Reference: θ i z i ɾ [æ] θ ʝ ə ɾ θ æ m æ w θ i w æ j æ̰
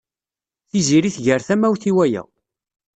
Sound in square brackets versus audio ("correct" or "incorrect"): incorrect